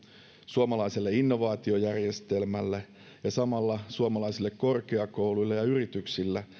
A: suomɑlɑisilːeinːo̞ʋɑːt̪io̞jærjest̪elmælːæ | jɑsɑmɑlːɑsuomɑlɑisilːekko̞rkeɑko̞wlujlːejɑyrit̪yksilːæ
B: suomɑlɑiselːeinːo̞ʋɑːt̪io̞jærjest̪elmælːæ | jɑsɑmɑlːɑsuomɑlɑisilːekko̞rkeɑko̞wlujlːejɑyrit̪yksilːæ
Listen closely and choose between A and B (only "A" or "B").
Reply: B